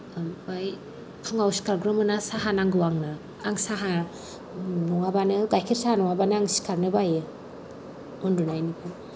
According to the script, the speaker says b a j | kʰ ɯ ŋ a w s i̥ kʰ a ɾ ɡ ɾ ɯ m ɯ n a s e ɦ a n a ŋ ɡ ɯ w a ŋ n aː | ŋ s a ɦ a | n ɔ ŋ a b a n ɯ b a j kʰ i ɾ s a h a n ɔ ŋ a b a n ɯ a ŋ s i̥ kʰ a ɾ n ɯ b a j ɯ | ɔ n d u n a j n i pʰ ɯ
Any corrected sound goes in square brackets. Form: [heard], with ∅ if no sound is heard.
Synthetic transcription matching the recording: b a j | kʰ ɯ ŋ a w s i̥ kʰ a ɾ ɡ ɾ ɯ m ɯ n a s [a] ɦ a n a ŋ ɡ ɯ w a ŋ n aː | ŋ s a ɦ a | n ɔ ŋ a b a n ɯ [ɡ] a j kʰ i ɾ s a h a n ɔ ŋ a b a n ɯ a ŋ s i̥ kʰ a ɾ n ɯ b a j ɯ | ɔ n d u n a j n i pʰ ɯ